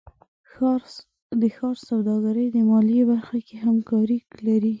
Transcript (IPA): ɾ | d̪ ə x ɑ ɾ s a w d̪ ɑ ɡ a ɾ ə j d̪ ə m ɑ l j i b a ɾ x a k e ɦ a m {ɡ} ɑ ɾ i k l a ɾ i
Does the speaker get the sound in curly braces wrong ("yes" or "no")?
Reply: yes